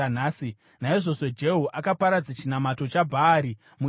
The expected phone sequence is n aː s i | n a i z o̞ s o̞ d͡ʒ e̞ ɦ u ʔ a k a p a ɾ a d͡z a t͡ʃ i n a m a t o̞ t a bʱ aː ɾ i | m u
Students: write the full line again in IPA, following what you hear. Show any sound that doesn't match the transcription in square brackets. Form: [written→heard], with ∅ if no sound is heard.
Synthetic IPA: n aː s i | n a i [z→ʐ] o̞ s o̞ d͡ʒ e̞ ɦ u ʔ a k a p a ɾ a d͡z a t͡ʃ i n a m a t o̞ [t→t͡ʃ] a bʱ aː ɾ i | m u